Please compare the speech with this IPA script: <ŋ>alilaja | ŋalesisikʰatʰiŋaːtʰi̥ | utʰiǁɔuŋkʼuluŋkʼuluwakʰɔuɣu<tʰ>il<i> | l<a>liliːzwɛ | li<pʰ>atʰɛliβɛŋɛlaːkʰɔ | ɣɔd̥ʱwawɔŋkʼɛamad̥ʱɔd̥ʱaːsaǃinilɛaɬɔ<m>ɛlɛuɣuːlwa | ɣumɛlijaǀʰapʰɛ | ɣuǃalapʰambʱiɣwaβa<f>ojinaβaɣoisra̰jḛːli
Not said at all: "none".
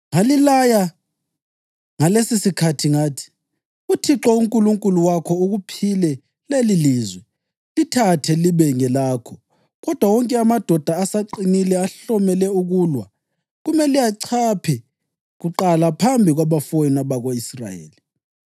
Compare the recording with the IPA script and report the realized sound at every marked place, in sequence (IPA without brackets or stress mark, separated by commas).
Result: ŋ, pʰ, ɛ, e, tʰ, m, f